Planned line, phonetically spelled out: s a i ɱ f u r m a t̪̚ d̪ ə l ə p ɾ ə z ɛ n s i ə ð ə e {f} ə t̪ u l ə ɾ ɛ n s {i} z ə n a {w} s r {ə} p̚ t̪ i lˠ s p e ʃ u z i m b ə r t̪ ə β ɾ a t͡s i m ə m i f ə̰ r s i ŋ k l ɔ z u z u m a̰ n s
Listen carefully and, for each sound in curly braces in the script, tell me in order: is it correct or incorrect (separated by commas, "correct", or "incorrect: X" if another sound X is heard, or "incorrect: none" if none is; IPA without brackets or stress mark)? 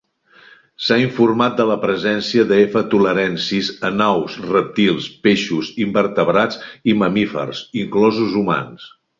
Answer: correct, correct, correct, correct